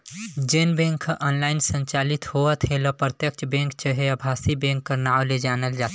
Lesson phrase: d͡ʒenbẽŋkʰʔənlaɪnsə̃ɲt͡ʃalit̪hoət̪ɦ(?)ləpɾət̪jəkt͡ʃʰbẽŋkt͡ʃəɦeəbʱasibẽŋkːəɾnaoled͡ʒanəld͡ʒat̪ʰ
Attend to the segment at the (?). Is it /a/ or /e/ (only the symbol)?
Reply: e